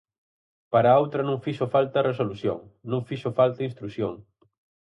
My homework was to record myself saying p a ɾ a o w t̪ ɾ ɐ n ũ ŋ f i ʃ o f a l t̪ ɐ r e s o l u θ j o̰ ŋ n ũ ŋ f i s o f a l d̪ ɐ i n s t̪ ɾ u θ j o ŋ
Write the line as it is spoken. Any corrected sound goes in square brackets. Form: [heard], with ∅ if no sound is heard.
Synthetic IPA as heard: p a ɾ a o w t̪ ɾ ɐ n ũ ŋ f i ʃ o f a l t̪ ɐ r e s o l u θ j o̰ ŋ n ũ ŋ f i [ʃ] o f a l [t̪] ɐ i n s t̪ ɾ u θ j o ŋ

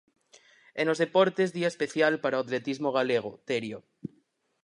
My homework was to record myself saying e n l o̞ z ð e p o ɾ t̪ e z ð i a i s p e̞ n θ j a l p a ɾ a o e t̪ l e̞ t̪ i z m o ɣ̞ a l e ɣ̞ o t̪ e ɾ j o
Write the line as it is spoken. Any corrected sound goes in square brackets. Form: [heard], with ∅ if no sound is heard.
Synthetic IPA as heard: e n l o̞ z ð e p o ɾ t̪ e z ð i a [e] s p e̞ [∅] θ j a l p a ɾ a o [a] t̪ l e̞ t̪ i z m o ɣ̞ a l e ɣ̞ o t̪ e ɾ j o

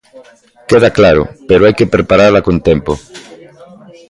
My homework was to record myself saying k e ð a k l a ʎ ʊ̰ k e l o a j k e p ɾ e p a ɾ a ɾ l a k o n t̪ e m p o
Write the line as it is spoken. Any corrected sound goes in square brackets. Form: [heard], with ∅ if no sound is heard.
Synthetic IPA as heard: k e ð a k l a [ɾ] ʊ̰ [p] e [ɾ] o a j k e p ɾ e p a ɾ a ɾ l a k o n t̪ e m p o

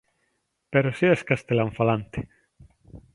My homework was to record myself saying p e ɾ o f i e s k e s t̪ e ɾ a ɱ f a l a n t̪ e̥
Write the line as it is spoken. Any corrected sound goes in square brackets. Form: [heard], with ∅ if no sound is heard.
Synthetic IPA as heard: p e ɾ o [s] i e s k [a] s t̪ e [l] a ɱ f a l a n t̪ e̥

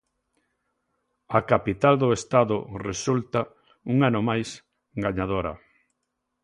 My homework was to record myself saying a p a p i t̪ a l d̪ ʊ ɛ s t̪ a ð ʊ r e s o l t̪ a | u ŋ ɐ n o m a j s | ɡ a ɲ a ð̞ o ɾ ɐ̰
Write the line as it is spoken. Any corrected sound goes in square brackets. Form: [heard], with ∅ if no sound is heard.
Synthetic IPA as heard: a [k] a p i t̪ a l d̪ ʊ [e] s t̪ a ð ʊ r e s [u] l t̪ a | u ŋ [a] n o m a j s | ɡ a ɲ a ð̞ o ɾ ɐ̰

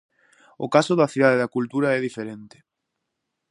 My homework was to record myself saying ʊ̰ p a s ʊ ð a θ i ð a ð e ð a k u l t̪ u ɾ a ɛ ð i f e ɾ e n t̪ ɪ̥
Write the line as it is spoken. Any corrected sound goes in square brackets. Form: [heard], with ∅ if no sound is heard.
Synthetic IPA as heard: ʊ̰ [k] a s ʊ ð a θ i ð a ð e ð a k u l t̪ u ɾ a ɛ ð i f e ɾ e n t̪ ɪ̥

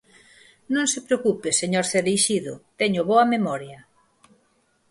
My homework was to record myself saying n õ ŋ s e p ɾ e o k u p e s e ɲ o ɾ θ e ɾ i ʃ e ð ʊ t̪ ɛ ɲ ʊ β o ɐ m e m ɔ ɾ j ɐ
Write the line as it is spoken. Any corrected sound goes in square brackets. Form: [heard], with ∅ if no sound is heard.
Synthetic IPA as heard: n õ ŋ s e p ɾ e o k u p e s e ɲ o ɾ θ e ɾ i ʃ [i] ð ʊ t̪ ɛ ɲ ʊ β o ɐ m e m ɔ ɾ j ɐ

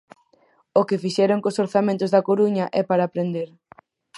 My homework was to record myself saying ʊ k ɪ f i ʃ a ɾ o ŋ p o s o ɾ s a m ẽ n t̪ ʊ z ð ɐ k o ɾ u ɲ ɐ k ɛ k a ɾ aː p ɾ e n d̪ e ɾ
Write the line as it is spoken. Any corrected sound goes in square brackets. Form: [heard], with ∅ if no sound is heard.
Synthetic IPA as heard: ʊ k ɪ f i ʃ [ɛ] ɾ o ŋ [k] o s o ɾ [θ] a m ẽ n t̪ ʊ z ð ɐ k o ɾ u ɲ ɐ [ʔ] ɛ [p] a ɾ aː p ɾ e n d̪ e ɾ

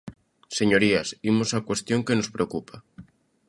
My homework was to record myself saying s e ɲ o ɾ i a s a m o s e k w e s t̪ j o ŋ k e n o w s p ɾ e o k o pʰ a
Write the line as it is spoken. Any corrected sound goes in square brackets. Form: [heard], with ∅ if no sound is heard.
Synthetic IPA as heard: s e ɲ o ɾ i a s [i] m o s [a] k w e s t̪ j o ŋ k e n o [∅] s p ɾ e o k [u] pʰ a

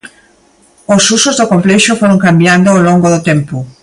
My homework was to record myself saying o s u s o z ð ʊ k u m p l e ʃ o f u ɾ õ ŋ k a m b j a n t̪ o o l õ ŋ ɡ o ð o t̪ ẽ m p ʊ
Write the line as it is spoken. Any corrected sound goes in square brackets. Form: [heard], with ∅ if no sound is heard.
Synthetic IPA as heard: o s u s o z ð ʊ k [o] m p l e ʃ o f [o] ɾ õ ŋ k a m b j a n [d̪] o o l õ ŋ ɡ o ð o t̪ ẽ m p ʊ

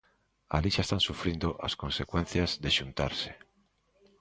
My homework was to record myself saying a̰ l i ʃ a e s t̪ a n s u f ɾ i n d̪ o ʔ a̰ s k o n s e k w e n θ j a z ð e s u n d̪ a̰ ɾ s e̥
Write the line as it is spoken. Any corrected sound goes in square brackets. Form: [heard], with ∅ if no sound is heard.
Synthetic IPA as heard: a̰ l i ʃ a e s t̪ a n s u f ɾ i n d̪ o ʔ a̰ s k o n s e k w e n θ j a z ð e [ʃ] u n [t̪] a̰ ɾ s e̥

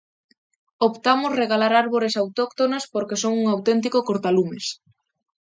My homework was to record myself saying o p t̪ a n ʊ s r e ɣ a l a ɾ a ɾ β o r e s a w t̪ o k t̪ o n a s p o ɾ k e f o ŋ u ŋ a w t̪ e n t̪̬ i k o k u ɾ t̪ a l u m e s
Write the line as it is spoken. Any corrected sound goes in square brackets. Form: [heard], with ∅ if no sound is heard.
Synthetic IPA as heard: o p t̪ a [m] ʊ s r e ɣ a l a ɾ a ɾ β o [ɾ] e s a w t̪ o k t̪ o n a s p o ɾ k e [s] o ŋ u ŋ a w t̪ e n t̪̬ i k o k [o] ɾ t̪ a l u m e s

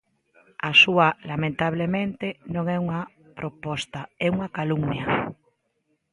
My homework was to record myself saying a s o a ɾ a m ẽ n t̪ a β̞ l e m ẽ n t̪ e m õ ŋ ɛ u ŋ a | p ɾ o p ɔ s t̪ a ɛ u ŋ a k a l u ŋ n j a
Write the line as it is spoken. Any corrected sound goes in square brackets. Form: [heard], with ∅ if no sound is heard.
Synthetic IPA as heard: a s [u] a [l] a m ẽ n t̪ a β̞ l e m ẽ n t̪ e [n] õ ŋ ɛ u ŋ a | p ɾ o p ɔ s t̪ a ɛ u ŋ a k a l u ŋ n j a

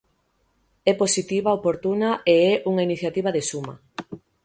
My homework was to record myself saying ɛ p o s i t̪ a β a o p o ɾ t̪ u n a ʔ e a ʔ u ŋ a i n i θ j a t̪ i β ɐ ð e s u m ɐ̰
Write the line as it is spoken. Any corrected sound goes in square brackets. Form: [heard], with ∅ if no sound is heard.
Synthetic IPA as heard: ɛ p o s i t̪ [i] β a o p o ɾ t̪ u n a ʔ e [ɛ] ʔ u ŋ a i n i θ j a t̪ i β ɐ ð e s u m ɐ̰

